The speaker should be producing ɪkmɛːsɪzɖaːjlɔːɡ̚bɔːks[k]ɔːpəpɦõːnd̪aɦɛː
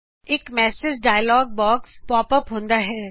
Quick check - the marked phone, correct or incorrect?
incorrect